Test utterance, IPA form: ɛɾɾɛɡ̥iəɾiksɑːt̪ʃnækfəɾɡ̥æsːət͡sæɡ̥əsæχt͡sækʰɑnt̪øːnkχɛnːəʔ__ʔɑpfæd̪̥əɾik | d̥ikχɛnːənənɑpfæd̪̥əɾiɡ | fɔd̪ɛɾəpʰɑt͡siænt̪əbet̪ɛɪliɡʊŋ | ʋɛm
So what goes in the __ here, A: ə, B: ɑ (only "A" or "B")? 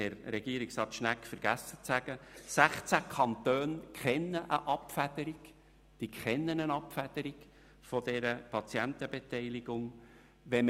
A